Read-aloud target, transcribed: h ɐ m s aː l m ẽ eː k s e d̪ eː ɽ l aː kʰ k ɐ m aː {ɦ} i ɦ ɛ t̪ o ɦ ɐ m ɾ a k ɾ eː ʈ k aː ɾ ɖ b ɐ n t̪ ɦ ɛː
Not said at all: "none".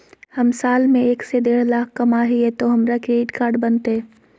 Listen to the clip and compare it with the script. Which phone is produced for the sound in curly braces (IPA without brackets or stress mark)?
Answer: ɦ